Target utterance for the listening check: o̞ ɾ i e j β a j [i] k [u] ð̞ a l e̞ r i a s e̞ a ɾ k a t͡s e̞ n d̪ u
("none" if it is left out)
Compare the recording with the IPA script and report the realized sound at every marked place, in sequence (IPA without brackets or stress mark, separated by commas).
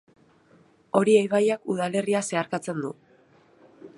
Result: a, u